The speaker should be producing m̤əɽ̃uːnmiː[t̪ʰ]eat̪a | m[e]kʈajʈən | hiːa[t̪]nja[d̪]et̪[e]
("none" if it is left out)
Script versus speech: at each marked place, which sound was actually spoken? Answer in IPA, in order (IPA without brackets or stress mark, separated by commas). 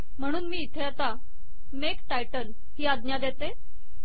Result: t̪ʰ, e, d̪, d̪, e